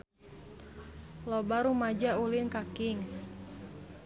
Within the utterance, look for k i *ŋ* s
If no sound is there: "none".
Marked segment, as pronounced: ŋ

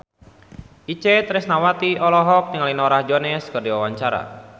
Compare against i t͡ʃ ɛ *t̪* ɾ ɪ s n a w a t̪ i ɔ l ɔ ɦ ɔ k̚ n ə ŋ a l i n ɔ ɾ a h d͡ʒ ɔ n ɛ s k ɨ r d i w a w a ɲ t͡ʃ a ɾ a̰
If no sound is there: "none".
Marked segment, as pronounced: t̪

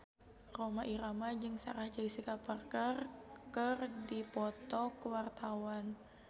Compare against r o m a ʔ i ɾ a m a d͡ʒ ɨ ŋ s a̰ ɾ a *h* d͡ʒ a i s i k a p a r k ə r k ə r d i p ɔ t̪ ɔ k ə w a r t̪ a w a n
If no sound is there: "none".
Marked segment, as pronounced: h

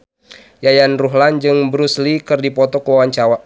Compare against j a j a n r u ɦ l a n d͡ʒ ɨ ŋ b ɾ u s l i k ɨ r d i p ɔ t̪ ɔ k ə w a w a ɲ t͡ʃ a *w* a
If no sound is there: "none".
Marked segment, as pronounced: w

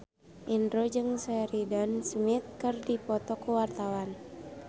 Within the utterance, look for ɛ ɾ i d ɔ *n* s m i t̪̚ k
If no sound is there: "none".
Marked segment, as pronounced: n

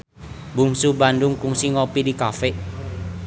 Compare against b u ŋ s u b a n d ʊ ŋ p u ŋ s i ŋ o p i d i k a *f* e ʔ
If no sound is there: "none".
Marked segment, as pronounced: f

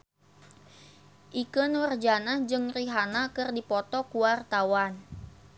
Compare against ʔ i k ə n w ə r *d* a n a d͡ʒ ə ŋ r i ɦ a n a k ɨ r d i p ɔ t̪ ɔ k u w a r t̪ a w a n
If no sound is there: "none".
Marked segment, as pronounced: d͡ʒ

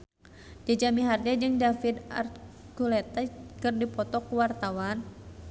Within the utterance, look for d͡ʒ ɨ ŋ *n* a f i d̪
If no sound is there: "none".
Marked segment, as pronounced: d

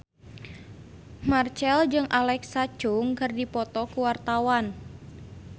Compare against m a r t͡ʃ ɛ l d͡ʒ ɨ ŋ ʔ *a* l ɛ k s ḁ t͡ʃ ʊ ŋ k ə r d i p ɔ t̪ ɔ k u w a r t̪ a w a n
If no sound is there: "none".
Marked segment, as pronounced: a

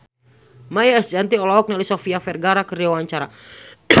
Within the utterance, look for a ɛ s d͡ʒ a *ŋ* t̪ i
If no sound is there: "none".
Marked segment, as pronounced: n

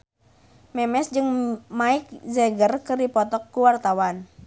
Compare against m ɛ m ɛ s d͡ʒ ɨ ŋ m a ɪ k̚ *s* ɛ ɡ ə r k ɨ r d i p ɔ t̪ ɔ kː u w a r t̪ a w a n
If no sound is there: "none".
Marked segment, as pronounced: z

